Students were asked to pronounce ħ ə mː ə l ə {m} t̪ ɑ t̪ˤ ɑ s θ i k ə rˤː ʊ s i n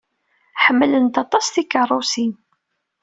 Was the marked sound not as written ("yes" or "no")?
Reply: yes